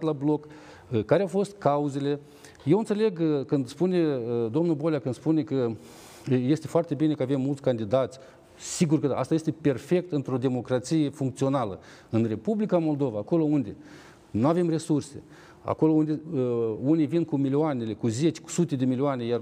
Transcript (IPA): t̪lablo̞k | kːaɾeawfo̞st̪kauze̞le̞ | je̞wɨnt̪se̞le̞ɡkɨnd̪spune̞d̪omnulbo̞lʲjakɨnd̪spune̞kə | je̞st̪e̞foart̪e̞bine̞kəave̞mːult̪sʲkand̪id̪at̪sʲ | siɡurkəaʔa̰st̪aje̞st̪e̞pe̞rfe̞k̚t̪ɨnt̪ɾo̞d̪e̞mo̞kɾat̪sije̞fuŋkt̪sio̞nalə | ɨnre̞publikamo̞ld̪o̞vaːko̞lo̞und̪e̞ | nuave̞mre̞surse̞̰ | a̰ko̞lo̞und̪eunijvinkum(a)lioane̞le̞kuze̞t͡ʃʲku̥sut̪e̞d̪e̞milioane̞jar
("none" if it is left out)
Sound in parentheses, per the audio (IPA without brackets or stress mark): i